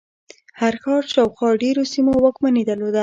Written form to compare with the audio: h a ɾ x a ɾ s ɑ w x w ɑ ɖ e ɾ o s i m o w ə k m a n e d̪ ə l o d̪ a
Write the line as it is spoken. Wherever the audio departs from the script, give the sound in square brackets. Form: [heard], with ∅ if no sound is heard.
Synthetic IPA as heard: h a ɾ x [ɑ] ɾ [ʃ] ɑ w x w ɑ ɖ e ɾ o s i m o w ə k m a n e d̪ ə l o d̪ a